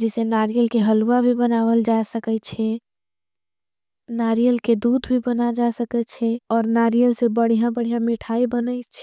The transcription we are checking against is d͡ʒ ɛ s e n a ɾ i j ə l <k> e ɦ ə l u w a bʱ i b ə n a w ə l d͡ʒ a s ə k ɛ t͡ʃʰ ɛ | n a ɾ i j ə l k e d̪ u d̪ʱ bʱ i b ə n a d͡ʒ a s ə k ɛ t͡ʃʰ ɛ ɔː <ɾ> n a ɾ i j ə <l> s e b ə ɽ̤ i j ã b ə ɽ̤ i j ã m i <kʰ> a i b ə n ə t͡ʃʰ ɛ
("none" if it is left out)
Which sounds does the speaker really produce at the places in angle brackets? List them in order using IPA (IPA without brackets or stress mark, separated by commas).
k, ɾ, l, ʈʰ